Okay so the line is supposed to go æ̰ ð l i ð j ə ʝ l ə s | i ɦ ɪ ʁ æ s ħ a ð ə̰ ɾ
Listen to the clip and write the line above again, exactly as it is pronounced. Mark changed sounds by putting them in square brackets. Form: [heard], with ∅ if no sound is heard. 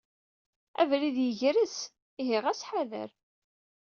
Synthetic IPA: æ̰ [v] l i ð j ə ʝ [ɾ] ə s | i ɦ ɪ ʁ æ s ħ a ð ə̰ ɾ